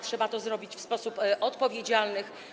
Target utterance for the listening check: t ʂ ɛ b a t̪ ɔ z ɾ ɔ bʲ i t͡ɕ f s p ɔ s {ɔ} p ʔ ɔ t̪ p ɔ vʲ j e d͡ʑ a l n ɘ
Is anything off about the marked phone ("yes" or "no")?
yes